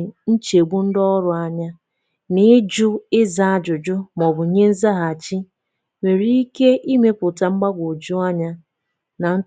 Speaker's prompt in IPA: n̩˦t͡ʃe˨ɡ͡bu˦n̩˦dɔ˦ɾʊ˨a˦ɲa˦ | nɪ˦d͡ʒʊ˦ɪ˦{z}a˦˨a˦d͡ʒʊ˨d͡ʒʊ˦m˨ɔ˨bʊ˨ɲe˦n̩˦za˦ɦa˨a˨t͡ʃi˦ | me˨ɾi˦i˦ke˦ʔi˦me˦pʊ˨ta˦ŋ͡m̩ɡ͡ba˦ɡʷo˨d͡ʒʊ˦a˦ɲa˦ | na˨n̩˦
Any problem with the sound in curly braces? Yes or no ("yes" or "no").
no